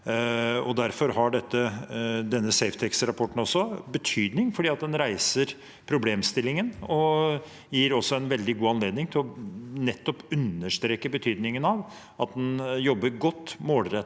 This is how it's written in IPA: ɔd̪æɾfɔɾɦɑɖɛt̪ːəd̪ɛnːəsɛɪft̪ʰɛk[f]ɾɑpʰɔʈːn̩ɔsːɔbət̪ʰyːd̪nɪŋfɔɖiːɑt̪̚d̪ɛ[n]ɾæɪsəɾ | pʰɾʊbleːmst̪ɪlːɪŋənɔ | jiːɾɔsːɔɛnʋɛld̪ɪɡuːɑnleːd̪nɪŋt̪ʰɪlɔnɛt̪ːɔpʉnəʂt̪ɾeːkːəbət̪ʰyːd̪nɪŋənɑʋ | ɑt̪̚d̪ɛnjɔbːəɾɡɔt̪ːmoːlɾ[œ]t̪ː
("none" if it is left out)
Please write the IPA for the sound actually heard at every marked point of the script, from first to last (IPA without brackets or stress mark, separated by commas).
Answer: s, n, ɛ